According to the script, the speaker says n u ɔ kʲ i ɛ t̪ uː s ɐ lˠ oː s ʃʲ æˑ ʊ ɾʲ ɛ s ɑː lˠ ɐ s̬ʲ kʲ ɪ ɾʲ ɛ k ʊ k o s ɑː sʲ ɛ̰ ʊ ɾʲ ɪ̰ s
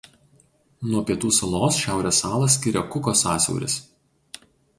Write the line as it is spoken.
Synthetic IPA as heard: n u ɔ pʲ i ɛ t̪ uː s ɐ lˠ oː s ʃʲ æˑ ʊ ɾʲ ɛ s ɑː lˠ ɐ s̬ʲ kʲ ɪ ɾʲ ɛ k ʊ k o s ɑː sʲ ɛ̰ ʊ ɾʲ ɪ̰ s